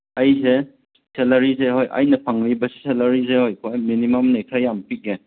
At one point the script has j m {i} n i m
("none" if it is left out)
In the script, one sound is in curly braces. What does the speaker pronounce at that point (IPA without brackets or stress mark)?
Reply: i